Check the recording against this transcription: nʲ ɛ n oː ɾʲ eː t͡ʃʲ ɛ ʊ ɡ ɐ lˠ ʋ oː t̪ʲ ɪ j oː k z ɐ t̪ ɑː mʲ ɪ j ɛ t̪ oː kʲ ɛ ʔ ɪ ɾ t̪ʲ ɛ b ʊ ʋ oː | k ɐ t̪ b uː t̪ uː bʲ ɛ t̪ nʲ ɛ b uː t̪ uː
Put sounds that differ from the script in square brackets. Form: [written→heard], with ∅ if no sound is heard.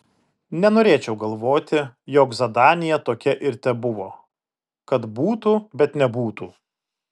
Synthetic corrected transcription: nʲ ɛ n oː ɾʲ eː t͡ʃʲ ɛ ʊ ɡ ɐ lˠ ʋ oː t̪ʲ ɪ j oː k z ɐ [t̪→d̪] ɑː [mʲ→nʲ] ɪ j ɛ t̪ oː kʲ ɛ ʔ ɪ ɾ t̪ʲ ɛ b ʊ ʋ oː | k ɐ t̪ b uː t̪ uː bʲ ɛ t̪ nʲ ɛ b uː t̪ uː